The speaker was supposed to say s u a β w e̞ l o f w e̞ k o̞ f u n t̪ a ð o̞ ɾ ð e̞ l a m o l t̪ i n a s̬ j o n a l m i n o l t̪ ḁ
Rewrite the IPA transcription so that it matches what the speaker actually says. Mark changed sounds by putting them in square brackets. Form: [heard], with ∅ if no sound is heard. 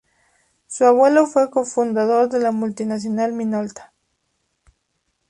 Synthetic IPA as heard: s u a β w e̞ l o f w e̞ k o̞ f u n [d̪] a ð o̞ ɾ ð e̞ l a m [u] l t̪ i n a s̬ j o n a l m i n o l t̪ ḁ